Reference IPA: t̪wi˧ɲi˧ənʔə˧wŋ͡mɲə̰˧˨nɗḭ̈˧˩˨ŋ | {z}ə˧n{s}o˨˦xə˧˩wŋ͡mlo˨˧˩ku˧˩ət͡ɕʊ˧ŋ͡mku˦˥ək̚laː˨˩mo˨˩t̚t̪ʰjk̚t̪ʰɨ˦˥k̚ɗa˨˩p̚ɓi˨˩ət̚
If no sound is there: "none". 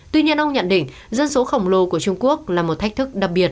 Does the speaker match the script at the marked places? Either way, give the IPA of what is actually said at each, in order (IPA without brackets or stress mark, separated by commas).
z, s